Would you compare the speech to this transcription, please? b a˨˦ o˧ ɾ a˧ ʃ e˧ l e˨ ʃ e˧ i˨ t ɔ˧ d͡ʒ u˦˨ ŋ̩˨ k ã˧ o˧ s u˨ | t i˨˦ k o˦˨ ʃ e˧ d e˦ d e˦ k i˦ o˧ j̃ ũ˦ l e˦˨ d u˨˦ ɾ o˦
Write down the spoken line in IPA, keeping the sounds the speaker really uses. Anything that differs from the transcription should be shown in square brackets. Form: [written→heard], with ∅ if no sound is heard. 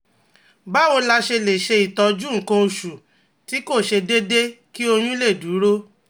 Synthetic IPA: b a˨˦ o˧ [ɾ→l] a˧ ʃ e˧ l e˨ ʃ e˧ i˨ t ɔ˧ d͡ʒ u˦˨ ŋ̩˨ k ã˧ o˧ [s→ʃ] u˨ | t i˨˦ k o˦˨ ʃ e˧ d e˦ d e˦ k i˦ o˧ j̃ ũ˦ l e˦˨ d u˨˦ ɾ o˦